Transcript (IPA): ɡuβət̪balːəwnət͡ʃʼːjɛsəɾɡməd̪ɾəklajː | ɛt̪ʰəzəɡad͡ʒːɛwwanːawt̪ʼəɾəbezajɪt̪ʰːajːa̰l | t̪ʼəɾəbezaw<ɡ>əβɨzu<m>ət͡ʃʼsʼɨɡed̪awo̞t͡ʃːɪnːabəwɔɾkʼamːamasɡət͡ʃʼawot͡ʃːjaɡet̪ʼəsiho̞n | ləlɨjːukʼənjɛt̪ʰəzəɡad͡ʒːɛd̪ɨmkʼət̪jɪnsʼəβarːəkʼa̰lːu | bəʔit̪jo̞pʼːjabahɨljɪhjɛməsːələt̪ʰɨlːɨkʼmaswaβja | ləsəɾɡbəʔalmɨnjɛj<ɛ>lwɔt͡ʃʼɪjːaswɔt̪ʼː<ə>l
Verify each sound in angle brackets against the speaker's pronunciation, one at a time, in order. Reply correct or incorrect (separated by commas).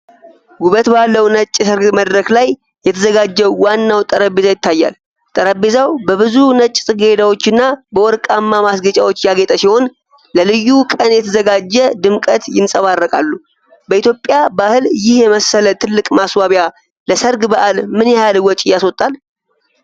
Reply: incorrect, incorrect, incorrect, incorrect